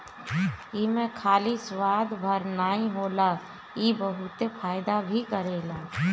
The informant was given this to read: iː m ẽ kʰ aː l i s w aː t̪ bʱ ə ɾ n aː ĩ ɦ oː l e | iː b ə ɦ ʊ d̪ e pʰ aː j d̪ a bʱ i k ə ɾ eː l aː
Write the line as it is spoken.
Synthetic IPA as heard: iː m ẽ kʰ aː l i s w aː d̪ bʱ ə ɾ n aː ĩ ɦ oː l a | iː b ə ɦ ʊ t̪ e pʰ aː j d̪ a bʱ i k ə ɾ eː l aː